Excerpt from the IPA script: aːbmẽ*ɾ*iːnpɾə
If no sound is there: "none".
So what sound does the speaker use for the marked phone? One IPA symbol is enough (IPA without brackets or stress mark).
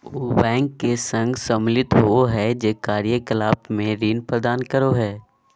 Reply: ɾ